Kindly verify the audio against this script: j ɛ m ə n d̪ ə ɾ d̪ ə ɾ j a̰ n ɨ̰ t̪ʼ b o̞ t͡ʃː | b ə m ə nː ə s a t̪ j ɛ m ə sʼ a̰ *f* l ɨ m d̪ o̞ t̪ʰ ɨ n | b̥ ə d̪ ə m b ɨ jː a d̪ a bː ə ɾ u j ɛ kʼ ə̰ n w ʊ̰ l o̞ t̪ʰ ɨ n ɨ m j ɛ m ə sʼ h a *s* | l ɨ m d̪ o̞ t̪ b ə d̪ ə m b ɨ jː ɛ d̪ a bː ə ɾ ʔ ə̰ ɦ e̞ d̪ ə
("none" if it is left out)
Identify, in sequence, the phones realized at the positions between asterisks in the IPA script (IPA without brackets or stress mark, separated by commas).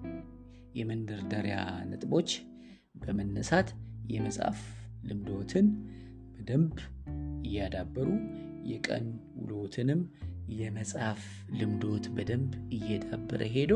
f, f